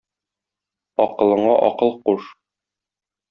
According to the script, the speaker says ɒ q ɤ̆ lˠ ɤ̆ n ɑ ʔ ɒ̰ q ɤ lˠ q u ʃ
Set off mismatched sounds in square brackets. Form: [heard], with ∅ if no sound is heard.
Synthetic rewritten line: ɒ q ɤ̆ lˠ ɤ̆ [ɴ] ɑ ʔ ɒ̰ q ɤ lˠ q u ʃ